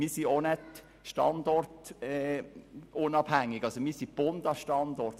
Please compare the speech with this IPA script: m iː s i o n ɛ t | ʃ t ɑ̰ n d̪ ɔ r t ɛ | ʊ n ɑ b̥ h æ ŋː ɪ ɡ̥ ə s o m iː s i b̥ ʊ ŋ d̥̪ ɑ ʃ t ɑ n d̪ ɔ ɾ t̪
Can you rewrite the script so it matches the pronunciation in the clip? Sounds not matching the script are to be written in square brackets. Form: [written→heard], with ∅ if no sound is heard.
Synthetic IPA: m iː s i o n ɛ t | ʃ t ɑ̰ n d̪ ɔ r t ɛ | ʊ n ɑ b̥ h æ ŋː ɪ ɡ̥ [ə→ɑ] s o m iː s i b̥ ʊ [ŋ→n] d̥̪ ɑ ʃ t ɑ n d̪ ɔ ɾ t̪